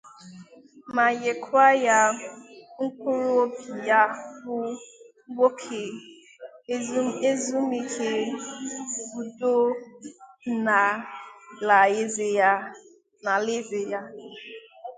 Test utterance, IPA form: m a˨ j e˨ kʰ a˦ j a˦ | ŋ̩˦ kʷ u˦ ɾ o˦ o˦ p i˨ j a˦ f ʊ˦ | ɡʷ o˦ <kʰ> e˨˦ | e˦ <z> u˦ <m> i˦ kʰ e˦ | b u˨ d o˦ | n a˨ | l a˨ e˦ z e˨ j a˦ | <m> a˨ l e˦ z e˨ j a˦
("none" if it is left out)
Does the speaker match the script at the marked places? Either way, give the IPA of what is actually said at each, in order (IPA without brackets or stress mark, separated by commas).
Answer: kʰ, z, m, n